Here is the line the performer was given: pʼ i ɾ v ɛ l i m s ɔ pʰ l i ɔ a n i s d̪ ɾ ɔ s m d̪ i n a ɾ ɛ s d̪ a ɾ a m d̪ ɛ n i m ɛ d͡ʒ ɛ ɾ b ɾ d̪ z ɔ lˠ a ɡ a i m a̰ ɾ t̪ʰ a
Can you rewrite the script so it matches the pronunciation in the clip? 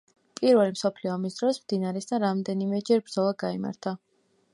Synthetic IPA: pʼ i ɾ v ɛ l i m s ɔ pʰ l i ɔ a m i s d̪ ɾ ɔ s m d̪ i n a ɾ ɛ s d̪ a ɾ a m d̪ ɛ n i m ɛ d͡ʒ ɛ ɾ b ɾ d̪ z ɔ lˠ a ɡ a i m a̰ ɾ t̪ʰ a